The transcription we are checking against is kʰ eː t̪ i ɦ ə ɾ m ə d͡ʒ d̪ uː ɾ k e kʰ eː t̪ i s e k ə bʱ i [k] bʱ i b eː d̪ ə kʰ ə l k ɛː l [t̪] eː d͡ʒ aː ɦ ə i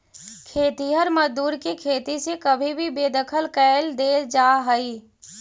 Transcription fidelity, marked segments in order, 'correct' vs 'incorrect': incorrect: none, incorrect: d̪

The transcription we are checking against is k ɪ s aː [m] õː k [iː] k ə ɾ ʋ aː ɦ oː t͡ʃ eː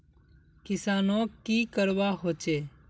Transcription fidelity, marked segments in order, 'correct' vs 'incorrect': incorrect: n, correct

